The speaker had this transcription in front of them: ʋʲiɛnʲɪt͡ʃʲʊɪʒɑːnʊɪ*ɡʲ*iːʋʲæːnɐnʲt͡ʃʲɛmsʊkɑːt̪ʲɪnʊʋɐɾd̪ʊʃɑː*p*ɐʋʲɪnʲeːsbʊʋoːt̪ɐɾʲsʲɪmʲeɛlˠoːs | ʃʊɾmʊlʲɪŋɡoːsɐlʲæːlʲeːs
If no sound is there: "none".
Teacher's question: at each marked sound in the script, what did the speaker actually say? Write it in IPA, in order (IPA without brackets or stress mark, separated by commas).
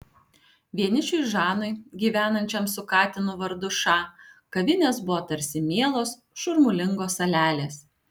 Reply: ɡʲ, k